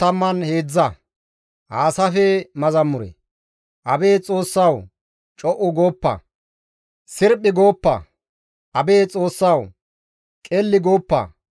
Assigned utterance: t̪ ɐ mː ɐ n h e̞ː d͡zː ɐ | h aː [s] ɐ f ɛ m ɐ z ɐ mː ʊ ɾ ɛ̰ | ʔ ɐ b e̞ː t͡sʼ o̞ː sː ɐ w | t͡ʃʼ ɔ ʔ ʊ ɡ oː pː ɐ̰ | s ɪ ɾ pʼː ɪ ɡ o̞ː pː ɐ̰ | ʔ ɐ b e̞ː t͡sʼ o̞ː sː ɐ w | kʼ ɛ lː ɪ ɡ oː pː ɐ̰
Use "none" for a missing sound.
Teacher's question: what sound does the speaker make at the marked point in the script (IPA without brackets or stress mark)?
s